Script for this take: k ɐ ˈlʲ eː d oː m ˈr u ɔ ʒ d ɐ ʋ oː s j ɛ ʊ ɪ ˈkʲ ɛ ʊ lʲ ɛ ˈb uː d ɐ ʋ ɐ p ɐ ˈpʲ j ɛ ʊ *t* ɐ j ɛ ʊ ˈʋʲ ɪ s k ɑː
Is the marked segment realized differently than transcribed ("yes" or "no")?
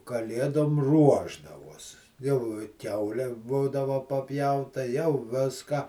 no